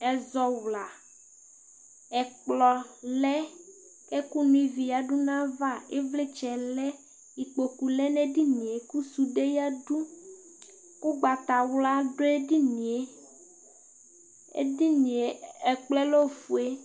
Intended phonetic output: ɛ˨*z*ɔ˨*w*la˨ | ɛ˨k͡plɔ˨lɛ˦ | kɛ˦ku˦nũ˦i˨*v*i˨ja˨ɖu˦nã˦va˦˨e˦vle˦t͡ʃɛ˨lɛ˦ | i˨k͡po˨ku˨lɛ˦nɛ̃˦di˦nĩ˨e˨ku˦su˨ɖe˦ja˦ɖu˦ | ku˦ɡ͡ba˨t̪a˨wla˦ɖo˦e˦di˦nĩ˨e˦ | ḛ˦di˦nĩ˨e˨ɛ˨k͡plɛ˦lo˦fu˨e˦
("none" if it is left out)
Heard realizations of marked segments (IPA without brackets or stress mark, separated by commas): z, w, v